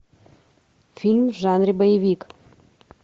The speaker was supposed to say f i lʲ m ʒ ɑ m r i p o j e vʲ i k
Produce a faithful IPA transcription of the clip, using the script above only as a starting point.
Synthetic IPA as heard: f i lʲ m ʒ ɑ n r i b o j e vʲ i k